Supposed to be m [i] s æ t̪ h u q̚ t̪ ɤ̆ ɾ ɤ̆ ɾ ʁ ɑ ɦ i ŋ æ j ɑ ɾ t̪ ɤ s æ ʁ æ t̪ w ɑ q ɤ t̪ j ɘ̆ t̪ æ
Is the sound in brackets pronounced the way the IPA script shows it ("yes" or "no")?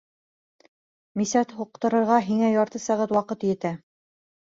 yes